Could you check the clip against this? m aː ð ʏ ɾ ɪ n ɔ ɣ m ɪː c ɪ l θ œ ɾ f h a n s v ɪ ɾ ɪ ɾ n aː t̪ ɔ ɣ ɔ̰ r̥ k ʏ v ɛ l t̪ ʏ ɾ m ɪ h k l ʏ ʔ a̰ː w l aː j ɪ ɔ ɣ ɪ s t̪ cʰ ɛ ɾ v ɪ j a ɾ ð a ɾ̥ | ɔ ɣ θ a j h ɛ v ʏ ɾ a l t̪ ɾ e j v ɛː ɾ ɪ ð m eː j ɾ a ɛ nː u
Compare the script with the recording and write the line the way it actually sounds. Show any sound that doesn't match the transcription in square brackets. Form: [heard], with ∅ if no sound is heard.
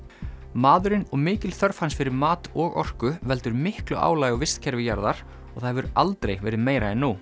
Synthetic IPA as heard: m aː ð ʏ ɾ ɪ n ɔ ɣ m ɪː c ɪ l θ œ ɾ f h a n s [f] ɪ ɾ ɪ ɾ [m] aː t̪ ɔ ɣ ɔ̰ r̥ k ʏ v ɛ l t̪ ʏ ɾ m ɪ h k l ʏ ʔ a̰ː w l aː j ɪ ɔ [v] ɪ s t̪ cʰ ɛ ɾ v ɪ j a ɾ ð a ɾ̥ | ɔ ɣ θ a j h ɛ v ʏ ɾ a l t̪ ɾ e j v ɛː ɾ ɪ ð m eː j ɾ a ɛ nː u

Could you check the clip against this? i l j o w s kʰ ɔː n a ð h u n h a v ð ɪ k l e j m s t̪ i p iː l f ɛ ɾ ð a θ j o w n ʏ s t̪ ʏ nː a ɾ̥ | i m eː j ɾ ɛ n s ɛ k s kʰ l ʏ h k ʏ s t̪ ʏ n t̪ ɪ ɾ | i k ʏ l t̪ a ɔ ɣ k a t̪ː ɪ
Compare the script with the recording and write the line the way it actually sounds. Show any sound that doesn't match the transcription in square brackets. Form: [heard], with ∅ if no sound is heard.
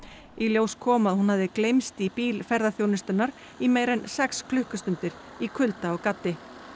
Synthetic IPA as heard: i l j o w s kʰ ɔː [m] a ð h u n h a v ð ɪ k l e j m s t̪ i p iː l f ɛ ɾ ð a θ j o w n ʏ s t̪ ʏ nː a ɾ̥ | i m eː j ɾ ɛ n s ɛ k s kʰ l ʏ h k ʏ s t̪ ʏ n t̪ ɪ ɾ | i [kʰ] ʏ l t̪ a ɔ ɣ k a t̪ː ɪ

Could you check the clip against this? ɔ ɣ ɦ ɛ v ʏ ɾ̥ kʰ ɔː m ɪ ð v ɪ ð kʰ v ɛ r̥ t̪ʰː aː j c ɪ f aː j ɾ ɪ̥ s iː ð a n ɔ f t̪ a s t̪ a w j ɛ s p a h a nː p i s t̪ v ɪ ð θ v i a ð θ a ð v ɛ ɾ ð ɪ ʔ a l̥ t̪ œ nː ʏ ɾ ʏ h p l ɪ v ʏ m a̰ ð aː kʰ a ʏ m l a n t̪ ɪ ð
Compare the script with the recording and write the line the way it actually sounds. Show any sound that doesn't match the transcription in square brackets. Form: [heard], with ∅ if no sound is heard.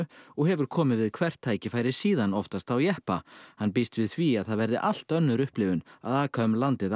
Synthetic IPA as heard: ɔ ɣ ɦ ɛ v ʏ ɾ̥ kʰ ɔː m ɪ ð v ɪ ð kʰ v ɛ r̥ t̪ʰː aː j c ɪ f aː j ɾ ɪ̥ s iː ð a n ɔ f t̪ a s t̪ a w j ɛ [h] p a h a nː p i s t̪ v ɪ ð θ v i a ð θ a ð v ɛ ɾ ð ɪ ʔ a l̥ t̪ œ nː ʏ ɾ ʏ h p l ɪ v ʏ [n] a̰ ð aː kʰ a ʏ m l a n t̪ ɪ ð

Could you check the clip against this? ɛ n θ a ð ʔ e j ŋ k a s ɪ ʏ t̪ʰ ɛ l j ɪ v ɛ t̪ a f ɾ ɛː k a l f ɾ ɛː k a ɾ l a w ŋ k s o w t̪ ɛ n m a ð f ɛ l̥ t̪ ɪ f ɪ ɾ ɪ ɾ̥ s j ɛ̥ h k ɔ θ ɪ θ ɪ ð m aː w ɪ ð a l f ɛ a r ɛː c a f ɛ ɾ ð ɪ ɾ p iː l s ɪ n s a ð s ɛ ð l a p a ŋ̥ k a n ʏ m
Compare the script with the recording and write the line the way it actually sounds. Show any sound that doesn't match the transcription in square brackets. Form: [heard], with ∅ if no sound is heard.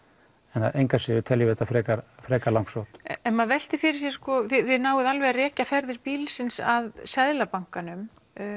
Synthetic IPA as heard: ɛ n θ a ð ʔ e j ŋ k a s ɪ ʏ t̪ʰ ɛ l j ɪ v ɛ t̪ a f ɾ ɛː k a [ɾ] f ɾ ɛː k a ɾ l a w ŋ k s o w t̪ ɛ n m a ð [v] ɛ l̥ t̪ ɪ f ɪ ɾ ɪ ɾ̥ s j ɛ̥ [s] k ɔ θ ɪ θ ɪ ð [n] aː w ɪ ð a l [v] ɛ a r ɛː c a f ɛ ɾ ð ɪ ɾ p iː l s ɪ n s a ð s ɛ ð l a p a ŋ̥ k a n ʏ m

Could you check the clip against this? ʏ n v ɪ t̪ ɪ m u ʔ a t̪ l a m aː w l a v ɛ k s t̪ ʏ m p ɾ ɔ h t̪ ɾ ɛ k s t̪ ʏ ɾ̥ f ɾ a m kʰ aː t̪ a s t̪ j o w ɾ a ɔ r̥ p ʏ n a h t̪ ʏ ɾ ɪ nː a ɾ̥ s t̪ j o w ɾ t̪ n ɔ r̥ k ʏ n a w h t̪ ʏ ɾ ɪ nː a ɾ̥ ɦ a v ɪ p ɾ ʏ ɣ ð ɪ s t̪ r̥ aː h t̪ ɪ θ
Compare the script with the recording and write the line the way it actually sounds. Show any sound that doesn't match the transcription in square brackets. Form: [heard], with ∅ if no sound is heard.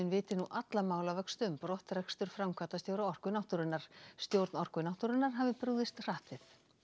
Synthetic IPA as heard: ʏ n v [ɪː] t̪ ɪ [n] u ʔ a t̪ l a m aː w l a v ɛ k s t̪ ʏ m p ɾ ɔ h t̪ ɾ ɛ k s t̪ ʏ ɾ̥ f ɾ a m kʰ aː t̪ a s t̪ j o w ɾ a ɔ r̥ [k] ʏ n a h t̪ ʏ ɾ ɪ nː a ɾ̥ s t̪ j o w ɾ t̪ n ɔ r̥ k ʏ n a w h t̪ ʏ ɾ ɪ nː a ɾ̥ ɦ a v ɪ p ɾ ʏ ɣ ð ɪ s t̪ r̥ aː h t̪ ɪ θ

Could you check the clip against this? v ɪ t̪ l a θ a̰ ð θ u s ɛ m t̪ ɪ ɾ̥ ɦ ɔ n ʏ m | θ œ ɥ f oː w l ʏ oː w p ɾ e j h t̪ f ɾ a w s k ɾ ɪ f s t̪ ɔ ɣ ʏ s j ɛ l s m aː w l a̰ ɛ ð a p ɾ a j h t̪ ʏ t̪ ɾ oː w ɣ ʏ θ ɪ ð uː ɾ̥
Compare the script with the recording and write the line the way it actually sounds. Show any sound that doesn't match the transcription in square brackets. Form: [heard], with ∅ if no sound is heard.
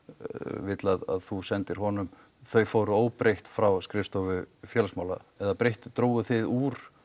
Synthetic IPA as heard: v ɪ t̪ l a [ð] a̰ ð θ u s ɛ [n] t̪ ɪ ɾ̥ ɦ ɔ n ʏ m | θ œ ɥ f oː w [ɾ] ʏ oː w p ɾ e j h t̪ f ɾ a w s k ɾ ɪ f s t̪ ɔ [v] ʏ [f] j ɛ l s m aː w l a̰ ɛ ð a p ɾ [e] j h t̪ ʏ t̪ ɾ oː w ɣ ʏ θ ɪ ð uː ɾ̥

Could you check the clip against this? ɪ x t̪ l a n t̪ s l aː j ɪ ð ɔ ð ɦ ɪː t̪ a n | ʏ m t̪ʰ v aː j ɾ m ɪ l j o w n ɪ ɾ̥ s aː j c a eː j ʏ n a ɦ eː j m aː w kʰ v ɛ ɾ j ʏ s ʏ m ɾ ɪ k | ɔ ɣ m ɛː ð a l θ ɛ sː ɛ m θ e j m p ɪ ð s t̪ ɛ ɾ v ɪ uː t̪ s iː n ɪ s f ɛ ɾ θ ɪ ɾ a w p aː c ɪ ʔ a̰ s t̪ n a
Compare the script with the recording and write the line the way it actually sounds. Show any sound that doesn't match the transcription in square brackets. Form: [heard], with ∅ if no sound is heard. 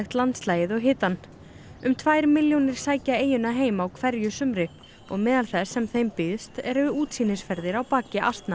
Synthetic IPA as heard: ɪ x t̪ l a n t̪ s l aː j ɪ ð ɔ [ɣ] ɦ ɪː t̪ a n | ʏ m t̪ʰ v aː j ɾ m ɪ l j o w n ɪ ɾ̥ s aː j c a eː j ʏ n a ɦ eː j m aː w kʰ v ɛ ɾ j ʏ s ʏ m ɾ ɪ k | ɔ ɣ m ɛː ð a l θ ɛ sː ɛ m θ e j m p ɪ ð s t̪ ɛ ɾ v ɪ uː t̪ s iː n ɪ s f ɛ ɾ [ð] ɪ ɾ a w p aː c ɪ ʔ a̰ s t̪ n a

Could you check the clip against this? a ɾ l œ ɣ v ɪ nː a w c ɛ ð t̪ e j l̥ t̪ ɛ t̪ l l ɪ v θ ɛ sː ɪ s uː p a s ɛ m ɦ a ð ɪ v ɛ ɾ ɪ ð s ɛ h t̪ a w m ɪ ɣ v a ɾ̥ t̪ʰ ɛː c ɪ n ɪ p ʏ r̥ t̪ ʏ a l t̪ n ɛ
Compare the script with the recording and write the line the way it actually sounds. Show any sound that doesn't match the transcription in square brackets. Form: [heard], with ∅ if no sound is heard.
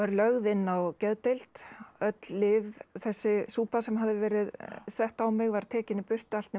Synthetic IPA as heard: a ɾ l œ ɣ [ð] ɪ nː a w c ɛ ð t̪ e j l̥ t̪ [œ] t̪ l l ɪ v θ ɛ sː ɪ s uː p a s ɛ m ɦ a ð ɪ v [ɛː] ɾ ɪ ð s ɛ h t̪ a w m ɪ ɣ v a ɾ̥ t̪ʰ ɛː c ɪ n ɪ p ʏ r̥ t̪ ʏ a l t̪ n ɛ

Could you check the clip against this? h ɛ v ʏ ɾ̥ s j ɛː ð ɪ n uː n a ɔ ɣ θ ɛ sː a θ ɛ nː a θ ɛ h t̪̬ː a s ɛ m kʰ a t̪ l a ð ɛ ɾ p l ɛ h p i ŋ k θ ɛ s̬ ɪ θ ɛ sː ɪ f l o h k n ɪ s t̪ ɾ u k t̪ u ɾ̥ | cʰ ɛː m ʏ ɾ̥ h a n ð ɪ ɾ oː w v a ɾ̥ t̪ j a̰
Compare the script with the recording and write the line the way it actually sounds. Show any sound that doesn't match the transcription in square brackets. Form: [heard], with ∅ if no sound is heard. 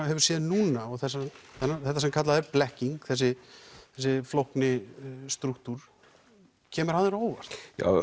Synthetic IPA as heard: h ɛ v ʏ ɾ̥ s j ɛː ð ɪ n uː n a ɔ ɣ θ ɛ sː a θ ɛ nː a θ ɛ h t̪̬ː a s ɛ m kʰ a t̪ l a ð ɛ ɾ p l ɛ h [c] i ŋ k θ ɛ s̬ ɪ θ ɛ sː ɪ f l o h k n ɪ s t̪ ɾ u k t̪ u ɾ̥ | cʰ ɛː m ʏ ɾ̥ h a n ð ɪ ɾ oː w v a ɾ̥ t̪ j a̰

